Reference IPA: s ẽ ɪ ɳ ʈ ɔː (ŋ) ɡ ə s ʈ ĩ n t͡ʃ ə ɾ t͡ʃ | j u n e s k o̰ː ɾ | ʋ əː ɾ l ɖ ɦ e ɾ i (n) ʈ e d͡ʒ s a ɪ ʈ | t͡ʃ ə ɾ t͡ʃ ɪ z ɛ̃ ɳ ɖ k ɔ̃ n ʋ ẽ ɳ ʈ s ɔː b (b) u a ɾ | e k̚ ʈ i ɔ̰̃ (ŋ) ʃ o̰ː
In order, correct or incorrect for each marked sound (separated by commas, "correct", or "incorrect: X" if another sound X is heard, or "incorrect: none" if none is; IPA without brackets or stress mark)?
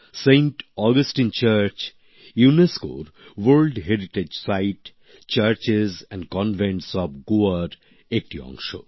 incorrect: none, incorrect: none, incorrect: ɡ, correct